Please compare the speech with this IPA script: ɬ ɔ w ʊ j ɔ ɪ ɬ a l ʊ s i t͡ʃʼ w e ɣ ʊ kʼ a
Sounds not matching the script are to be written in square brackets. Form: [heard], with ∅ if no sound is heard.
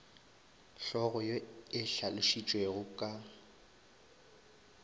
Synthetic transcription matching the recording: ɬ ɔ [ɣ] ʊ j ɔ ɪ ɬ a l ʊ [ʃ] i t͡ʃʼ w e ɣ ʊ kʼ a